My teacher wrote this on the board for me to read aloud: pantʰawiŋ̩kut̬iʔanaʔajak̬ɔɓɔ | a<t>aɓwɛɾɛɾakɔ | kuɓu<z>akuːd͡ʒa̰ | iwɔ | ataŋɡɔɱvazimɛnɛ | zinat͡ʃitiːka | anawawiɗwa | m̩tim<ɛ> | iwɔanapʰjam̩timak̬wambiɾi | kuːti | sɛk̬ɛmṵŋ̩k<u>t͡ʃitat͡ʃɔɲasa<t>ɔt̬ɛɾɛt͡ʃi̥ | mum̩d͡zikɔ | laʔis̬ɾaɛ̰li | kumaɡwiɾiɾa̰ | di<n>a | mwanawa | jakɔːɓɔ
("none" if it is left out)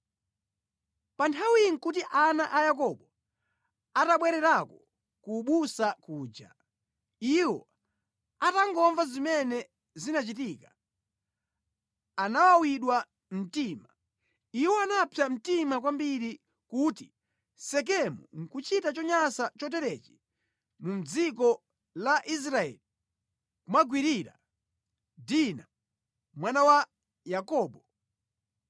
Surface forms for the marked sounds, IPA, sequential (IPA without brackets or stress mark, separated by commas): t, s, a, u, t͡ʃ, n